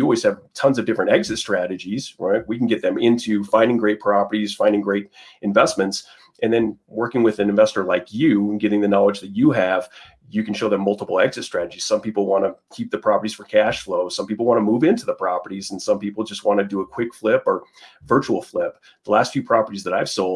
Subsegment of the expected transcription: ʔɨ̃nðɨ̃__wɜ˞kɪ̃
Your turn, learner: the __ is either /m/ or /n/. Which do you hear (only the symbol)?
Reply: n